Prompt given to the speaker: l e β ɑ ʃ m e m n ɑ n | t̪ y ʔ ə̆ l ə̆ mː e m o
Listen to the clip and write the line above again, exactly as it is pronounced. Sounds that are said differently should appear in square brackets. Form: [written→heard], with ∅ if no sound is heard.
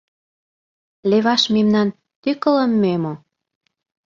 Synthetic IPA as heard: l e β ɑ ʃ m e m n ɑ n | t̪ y [ʔ→k] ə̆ l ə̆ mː e m o